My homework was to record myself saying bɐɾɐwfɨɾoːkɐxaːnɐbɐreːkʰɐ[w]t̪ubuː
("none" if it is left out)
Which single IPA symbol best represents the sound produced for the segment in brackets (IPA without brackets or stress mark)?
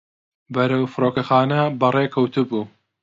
w